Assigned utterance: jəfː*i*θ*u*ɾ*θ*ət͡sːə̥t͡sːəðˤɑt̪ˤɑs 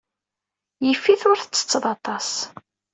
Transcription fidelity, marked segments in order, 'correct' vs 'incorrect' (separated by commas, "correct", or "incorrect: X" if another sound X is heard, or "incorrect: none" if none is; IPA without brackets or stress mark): correct, incorrect: ʊ, correct